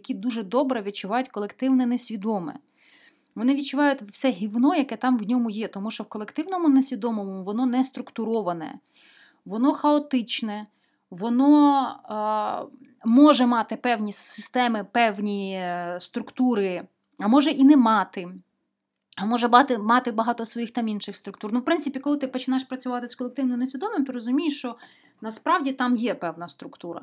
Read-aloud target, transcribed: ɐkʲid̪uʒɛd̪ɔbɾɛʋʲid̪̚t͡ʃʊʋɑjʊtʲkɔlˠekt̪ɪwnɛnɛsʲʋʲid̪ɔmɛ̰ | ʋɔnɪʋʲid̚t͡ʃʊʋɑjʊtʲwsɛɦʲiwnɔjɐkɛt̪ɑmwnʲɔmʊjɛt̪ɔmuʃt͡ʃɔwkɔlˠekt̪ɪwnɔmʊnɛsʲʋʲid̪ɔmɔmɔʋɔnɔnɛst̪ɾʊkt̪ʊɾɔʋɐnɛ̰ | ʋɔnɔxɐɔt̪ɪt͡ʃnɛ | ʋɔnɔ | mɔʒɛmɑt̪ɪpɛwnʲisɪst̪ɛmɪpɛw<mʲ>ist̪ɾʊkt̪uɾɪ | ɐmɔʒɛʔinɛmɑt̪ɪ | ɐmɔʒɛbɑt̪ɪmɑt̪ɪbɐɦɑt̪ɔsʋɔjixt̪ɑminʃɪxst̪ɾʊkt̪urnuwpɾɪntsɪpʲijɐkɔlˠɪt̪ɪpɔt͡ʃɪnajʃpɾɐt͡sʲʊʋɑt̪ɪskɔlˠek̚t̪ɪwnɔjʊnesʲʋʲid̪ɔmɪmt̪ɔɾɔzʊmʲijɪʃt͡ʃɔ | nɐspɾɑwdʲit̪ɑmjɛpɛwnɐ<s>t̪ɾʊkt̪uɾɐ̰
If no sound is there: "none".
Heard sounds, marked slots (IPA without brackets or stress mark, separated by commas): nʲ, s